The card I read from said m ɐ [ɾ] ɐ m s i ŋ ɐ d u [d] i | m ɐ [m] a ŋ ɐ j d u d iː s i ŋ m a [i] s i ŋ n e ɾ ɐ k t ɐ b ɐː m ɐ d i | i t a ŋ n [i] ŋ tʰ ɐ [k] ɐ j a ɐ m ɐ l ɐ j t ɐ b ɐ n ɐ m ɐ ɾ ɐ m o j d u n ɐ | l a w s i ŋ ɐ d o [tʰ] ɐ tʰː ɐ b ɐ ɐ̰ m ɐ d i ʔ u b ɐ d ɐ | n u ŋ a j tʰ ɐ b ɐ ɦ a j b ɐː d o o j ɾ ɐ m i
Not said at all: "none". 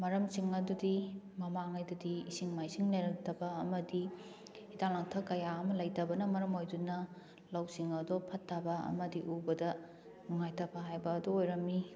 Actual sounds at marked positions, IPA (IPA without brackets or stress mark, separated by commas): ɾ, d, m, j, a, k, pʰ